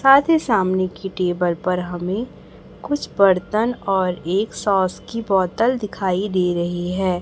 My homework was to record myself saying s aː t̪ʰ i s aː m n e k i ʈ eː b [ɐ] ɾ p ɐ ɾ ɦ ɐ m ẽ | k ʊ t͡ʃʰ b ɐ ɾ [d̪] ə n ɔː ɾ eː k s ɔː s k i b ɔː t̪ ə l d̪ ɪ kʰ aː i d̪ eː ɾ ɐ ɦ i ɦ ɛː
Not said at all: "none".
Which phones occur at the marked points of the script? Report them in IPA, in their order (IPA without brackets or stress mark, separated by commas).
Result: ə, t̪